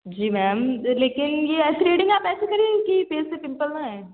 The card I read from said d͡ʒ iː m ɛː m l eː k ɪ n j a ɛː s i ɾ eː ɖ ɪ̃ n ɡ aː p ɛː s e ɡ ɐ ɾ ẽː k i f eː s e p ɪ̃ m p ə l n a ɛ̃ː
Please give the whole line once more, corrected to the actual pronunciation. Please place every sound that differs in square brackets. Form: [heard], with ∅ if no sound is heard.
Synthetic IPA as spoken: d͡ʒ iː m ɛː m l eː k ɪ n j [e] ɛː s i ɾ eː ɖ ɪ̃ [ŋ] ɡ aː p ɛː s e [k] ɐ ɾ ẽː k i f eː s e p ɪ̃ m p ə l n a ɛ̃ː